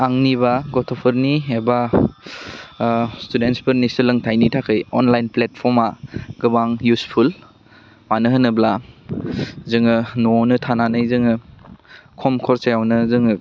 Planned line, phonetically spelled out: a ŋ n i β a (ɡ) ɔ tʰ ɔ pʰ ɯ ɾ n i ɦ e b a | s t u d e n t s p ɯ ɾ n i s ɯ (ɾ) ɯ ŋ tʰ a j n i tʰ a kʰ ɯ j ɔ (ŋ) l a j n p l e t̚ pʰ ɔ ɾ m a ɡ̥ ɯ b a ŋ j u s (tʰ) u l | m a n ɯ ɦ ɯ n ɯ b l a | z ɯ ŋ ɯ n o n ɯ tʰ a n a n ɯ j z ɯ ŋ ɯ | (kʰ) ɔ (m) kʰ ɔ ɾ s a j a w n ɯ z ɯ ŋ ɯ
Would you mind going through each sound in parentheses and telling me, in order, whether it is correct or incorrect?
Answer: correct, incorrect: l, incorrect: n, incorrect: pʰ, correct, correct

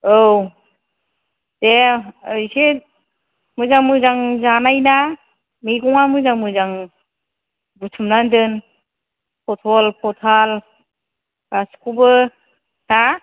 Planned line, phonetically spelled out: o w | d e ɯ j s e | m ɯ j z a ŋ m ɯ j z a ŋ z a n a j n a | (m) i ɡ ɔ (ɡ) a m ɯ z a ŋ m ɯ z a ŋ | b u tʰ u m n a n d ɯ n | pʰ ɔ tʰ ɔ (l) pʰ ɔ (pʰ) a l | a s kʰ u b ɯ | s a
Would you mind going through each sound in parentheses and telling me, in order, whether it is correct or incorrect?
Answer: correct, incorrect: ŋ, correct, incorrect: tʰ

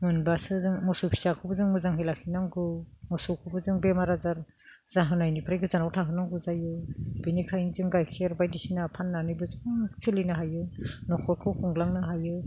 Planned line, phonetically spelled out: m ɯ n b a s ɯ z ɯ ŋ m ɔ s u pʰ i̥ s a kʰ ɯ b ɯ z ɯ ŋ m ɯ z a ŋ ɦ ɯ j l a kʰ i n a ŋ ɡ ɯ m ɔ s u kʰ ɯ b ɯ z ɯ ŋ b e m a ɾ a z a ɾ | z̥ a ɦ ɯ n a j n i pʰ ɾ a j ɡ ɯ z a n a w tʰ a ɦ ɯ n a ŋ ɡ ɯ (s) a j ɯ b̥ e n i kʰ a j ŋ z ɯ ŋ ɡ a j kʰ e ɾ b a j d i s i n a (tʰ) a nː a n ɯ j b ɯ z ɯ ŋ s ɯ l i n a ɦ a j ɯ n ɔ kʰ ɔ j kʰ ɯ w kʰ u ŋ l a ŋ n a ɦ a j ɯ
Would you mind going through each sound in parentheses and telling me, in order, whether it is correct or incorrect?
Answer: incorrect: z, incorrect: pʰ

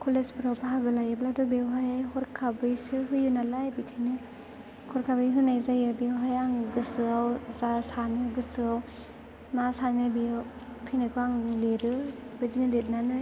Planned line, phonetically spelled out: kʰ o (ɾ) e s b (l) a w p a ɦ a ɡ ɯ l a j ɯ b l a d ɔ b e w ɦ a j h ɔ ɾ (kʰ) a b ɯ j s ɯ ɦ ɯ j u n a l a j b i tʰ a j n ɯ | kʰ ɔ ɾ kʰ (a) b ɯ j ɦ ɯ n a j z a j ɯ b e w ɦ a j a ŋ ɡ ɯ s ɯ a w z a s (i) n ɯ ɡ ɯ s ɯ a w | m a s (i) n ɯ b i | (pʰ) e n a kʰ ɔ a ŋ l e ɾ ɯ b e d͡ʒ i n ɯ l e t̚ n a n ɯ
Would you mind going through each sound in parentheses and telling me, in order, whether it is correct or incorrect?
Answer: incorrect: l, incorrect: ɾ, correct, correct, incorrect: a, incorrect: a, correct

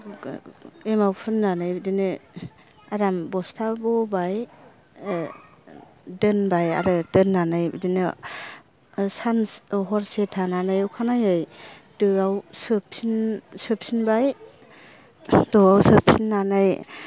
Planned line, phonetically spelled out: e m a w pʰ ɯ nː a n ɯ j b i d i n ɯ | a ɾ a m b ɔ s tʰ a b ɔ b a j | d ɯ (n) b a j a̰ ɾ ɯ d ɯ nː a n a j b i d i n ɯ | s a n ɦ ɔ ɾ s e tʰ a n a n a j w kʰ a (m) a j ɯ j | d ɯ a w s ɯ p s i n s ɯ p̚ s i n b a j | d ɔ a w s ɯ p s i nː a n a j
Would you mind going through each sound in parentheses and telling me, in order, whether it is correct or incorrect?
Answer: correct, incorrect: n

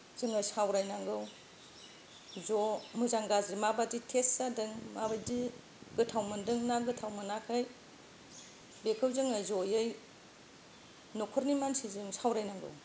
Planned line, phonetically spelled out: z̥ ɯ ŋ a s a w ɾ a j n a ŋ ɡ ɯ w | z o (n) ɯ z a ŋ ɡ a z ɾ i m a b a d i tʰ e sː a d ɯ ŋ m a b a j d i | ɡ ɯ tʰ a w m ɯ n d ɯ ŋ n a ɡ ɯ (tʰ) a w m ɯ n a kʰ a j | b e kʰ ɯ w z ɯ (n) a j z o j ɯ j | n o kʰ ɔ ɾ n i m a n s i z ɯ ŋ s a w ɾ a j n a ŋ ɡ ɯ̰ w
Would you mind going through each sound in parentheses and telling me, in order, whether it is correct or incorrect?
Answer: incorrect: m, correct, incorrect: ŋ

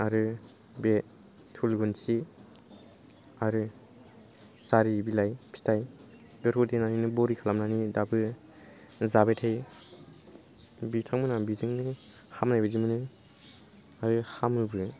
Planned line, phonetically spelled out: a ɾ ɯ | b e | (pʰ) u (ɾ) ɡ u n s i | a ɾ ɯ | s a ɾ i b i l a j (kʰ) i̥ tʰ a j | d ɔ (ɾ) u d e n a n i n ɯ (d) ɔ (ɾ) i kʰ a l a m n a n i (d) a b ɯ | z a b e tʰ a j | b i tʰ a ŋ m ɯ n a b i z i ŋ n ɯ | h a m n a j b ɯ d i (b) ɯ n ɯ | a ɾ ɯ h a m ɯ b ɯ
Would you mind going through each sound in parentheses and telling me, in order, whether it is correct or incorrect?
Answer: incorrect: tʰ, incorrect: l, incorrect: pʰ, correct, incorrect: b, correct, correct, incorrect: m

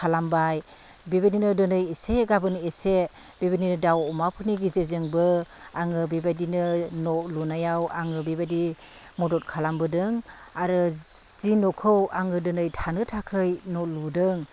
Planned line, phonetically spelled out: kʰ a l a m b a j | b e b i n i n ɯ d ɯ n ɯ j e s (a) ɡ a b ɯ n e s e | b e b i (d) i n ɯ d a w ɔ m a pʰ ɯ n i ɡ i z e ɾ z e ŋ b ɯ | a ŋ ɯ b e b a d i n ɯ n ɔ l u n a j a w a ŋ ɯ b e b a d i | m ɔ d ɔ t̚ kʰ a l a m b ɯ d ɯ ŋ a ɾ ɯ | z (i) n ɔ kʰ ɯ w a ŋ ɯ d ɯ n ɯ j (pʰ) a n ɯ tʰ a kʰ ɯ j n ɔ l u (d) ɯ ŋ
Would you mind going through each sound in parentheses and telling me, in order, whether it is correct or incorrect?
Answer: incorrect: e, incorrect: n, correct, incorrect: tʰ, correct

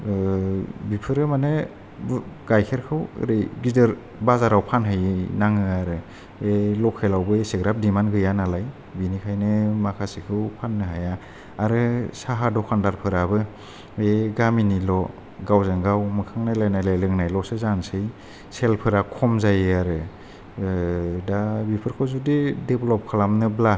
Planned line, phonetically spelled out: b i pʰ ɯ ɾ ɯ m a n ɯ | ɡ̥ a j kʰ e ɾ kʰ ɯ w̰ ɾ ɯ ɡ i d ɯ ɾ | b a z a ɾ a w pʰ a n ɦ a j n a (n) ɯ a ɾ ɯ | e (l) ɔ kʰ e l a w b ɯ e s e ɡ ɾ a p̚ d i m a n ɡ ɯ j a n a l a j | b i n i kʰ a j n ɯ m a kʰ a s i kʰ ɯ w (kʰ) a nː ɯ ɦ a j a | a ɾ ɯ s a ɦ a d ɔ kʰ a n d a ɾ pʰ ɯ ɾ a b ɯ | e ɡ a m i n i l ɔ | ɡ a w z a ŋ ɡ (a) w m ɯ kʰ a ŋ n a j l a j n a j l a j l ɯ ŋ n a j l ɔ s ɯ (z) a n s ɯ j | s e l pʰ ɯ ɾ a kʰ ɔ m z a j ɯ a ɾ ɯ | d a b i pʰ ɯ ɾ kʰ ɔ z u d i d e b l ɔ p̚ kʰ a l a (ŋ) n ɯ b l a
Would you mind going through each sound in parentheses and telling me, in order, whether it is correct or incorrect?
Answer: incorrect: ŋ, correct, incorrect: pʰ, correct, correct, incorrect: m

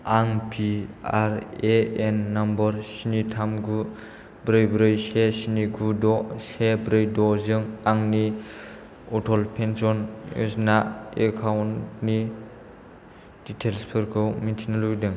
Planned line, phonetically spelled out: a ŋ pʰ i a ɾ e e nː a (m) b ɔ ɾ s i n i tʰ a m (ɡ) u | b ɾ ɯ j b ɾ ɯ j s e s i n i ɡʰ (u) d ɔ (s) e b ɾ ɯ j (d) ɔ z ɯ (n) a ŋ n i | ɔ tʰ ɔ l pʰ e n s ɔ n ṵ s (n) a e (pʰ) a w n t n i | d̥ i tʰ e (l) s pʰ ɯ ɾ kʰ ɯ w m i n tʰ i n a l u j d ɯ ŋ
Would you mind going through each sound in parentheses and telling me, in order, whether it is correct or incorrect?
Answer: correct, correct, correct, correct, correct, incorrect: ŋ, correct, incorrect: kʰ, correct

